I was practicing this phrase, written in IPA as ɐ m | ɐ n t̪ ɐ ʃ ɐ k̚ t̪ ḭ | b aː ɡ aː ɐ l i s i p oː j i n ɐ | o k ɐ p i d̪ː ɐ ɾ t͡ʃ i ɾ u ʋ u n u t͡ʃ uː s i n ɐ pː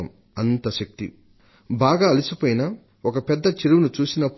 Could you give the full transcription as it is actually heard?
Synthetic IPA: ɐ m | ɐ n t̪ ɐ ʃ ɐ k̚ t̪ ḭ | b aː ɡ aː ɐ l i s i p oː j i n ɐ | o k ɐ p ɛ d̪ː ɐ t͡ʃ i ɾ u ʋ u n u t͡ʃ uː s i n ɐ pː